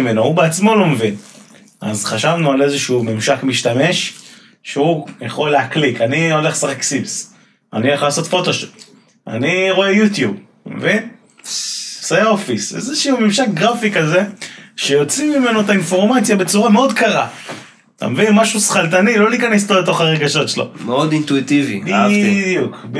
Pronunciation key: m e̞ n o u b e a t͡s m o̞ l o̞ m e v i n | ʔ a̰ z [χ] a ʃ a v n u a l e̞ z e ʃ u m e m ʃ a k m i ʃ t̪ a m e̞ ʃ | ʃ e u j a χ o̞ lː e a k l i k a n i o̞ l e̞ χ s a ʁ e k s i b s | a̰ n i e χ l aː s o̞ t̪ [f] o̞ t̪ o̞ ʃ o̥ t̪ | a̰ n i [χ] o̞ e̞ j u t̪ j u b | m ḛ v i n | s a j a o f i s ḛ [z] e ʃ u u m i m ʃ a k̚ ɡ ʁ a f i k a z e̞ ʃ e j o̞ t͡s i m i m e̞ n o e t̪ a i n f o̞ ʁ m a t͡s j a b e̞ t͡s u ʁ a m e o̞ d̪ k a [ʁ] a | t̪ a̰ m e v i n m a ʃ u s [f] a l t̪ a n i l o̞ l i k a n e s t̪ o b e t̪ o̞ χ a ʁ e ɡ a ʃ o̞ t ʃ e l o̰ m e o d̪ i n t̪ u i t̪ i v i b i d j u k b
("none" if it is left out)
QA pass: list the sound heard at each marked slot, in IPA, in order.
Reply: χ, f, ʁ, z, ʁ, χ

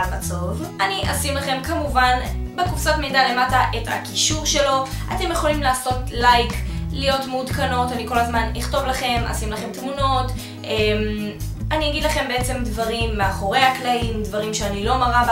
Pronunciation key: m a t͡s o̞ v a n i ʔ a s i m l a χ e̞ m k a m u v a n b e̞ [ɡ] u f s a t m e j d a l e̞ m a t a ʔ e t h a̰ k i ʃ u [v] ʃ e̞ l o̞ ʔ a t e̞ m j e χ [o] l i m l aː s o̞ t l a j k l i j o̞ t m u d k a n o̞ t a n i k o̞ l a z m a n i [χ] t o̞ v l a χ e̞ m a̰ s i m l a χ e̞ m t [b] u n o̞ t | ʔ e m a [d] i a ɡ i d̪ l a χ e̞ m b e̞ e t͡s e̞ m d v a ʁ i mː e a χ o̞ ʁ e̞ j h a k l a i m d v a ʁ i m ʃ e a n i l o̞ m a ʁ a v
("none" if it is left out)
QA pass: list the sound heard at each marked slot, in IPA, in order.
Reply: k, ʁ, o, χ, m, n

